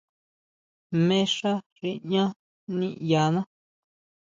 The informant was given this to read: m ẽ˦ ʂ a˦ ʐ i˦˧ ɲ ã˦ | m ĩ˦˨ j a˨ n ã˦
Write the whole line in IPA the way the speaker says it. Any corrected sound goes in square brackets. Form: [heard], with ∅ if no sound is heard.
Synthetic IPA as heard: m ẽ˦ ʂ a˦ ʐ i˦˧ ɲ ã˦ | [n] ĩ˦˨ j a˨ n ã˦